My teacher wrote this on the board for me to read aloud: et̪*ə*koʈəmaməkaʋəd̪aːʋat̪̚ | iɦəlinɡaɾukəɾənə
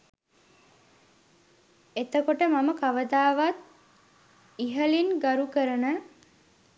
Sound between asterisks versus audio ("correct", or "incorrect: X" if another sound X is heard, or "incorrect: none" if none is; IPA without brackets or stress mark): correct